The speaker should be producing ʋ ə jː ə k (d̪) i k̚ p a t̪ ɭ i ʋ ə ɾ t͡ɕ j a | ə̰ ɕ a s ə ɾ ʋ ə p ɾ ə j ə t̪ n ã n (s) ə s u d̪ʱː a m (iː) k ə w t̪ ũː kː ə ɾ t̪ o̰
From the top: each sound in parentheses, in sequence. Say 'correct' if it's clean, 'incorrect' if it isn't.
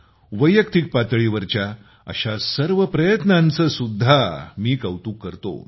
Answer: incorrect: t̪, incorrect: t͡s, correct

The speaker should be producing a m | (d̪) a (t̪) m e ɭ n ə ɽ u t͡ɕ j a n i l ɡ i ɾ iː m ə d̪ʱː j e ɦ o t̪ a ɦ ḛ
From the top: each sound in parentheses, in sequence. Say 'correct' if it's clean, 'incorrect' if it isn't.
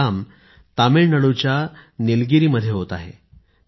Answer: incorrect: t̪, incorrect: none

